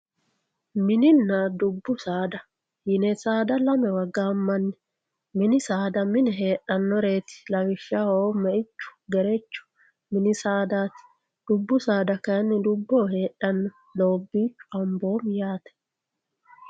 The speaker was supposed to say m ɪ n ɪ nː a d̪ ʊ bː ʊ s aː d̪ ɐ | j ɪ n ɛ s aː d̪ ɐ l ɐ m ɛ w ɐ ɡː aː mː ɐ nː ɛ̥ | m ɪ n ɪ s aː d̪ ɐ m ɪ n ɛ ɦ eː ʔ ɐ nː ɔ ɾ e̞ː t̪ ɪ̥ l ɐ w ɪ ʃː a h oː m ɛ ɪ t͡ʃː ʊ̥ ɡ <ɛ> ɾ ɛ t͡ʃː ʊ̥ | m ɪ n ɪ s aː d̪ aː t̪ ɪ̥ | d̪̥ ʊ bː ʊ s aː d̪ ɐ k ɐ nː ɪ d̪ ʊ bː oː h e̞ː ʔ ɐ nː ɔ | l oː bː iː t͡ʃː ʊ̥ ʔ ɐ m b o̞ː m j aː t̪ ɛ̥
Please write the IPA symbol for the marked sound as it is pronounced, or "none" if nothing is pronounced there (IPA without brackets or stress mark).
ɛ